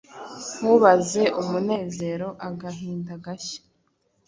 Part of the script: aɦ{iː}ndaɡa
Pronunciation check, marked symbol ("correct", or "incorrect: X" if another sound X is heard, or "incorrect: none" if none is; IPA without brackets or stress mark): correct